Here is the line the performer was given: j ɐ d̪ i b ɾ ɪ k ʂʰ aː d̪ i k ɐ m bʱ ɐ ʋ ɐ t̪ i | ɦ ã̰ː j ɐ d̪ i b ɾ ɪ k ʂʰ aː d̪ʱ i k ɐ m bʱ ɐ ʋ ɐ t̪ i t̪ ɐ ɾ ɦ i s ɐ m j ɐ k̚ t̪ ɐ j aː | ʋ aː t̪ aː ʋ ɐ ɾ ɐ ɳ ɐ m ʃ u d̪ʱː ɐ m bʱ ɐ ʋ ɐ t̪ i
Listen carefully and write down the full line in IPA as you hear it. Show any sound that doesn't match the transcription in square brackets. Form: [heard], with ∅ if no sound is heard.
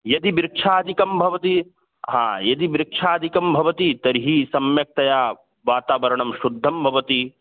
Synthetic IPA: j ɐ d̪ i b ɾ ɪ k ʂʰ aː d̪ i k ɐ m bʱ ɐ ʋ ɐ t̪ i | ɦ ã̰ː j ɐ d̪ i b ɾ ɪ k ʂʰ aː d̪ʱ i k ɐ m bʱ ɐ ʋ ɐ t̪ i t̪ ɐ ɾ ɦ i s ɐ m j ɐ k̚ t̪ ɐ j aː | ʋ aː t̪ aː ʋ ɐ ɾ ɐ ɳ ɐ m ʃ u d̪ʱː ɐ m bʱ ɐ ʋ ɐ t̪ i